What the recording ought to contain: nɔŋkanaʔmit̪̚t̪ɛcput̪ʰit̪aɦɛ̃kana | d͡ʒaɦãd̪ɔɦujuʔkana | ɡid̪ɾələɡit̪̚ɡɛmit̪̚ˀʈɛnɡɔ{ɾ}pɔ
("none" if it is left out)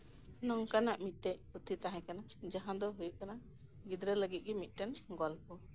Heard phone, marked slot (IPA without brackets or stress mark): l